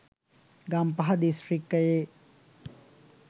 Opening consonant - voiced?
yes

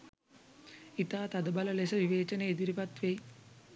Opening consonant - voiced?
no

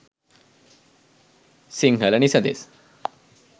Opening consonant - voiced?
no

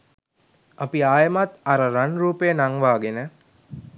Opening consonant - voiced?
no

